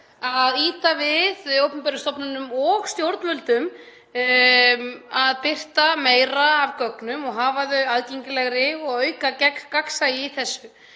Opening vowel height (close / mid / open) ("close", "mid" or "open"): open